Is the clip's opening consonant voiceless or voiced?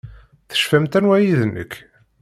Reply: voiceless